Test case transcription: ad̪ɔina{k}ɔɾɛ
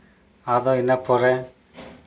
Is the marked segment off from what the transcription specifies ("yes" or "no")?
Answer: yes